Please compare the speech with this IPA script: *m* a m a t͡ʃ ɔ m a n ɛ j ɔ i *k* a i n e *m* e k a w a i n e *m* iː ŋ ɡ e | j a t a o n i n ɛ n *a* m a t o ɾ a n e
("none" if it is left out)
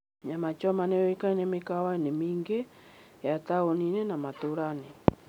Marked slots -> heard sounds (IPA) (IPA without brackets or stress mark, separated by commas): ɲ, k, m, m, a